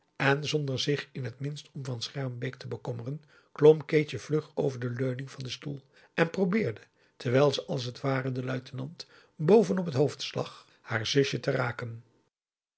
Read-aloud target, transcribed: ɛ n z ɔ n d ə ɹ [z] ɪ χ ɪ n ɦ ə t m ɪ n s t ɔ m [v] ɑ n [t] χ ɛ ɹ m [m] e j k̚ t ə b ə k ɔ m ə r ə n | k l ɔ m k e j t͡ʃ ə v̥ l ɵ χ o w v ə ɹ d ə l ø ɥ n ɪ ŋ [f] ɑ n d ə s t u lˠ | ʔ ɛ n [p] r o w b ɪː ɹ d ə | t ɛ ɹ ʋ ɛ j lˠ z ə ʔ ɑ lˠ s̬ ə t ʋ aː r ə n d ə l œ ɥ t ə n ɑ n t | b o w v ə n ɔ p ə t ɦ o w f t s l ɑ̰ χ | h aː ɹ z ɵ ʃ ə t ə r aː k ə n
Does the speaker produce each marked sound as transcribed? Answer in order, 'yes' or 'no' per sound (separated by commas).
yes, yes, no, no, no, yes